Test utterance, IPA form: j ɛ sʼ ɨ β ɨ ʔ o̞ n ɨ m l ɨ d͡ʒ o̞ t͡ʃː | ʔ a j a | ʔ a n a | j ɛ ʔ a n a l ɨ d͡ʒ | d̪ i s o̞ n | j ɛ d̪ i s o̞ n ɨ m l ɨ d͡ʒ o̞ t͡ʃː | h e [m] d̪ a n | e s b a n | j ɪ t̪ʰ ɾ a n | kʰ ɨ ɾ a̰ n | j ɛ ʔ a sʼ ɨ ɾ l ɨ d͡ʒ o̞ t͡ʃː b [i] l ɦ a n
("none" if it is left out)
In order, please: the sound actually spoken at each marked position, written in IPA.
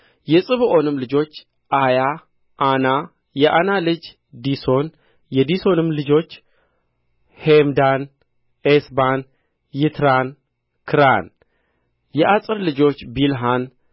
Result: m, i

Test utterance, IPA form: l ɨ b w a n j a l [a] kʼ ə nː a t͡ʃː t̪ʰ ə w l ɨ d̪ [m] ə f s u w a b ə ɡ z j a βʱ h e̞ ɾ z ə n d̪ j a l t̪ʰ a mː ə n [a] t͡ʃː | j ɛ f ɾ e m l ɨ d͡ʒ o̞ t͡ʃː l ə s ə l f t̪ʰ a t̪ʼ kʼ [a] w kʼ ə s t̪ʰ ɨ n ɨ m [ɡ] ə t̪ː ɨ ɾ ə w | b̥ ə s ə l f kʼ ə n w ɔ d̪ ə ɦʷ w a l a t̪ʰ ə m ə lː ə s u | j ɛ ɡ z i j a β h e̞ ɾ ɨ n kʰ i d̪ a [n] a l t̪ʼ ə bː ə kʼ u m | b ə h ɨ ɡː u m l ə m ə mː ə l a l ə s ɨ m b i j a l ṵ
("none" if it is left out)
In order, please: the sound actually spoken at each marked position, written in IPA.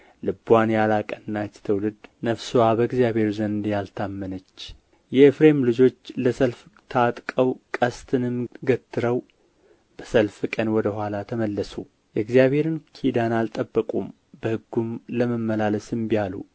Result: a, n, ə, ə, ɡ, n

